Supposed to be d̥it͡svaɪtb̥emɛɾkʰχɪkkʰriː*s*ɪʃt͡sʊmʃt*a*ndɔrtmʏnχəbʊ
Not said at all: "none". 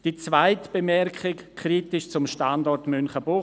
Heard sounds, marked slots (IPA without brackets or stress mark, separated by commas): t, a